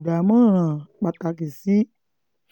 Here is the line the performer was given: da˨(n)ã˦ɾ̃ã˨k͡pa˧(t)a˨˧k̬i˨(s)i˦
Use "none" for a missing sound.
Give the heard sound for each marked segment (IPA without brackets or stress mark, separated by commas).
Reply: m, t, s